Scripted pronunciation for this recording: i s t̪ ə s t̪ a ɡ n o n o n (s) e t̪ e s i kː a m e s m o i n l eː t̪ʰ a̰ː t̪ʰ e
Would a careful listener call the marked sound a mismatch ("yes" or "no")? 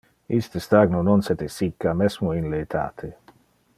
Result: no